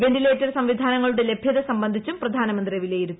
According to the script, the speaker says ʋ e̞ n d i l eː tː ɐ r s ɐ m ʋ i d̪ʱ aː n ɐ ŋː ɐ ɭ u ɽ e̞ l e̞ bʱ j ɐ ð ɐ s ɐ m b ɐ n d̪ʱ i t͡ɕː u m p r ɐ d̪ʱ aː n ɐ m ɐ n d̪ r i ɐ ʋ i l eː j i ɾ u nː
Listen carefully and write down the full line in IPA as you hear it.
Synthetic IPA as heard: ʋ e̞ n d i l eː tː ɐ r s ɐ m ʋ i d̪ʱ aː n ɐ ŋː ɐ ɭ u ɽ e̞ l e̞ bʱ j ɐ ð ɐ s ɐ m b ɐ n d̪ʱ i t͡ɕː u m p r ɐ d̪ʱ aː n ɐ m ɐ n d̪ r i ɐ ʋ i l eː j i ɾ u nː